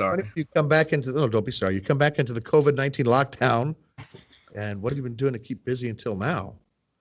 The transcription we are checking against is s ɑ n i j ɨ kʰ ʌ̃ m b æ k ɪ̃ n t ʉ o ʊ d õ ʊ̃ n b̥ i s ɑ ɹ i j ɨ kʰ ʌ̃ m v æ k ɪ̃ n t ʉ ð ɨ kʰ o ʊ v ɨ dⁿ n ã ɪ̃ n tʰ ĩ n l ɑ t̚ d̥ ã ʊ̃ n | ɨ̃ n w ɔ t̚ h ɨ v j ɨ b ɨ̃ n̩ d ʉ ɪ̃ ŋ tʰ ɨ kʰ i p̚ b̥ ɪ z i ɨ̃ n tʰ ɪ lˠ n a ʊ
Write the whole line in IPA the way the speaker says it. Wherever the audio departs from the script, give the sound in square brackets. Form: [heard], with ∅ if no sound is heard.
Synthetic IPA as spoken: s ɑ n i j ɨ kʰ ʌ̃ m b æ k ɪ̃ n t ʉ o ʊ d õ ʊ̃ n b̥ i s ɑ ɹ i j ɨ kʰ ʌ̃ m [b] æ k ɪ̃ n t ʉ ð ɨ kʰ o ʊ v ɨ dⁿ n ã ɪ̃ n tʰ ĩ n l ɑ [k̚] d̥ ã ʊ̃ n | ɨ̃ n w [ʌ] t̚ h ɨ v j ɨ b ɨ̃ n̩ d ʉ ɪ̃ ŋ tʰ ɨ kʰ i p̚ b̥ ɪ z i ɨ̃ n tʰ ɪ lˠ n a ʊ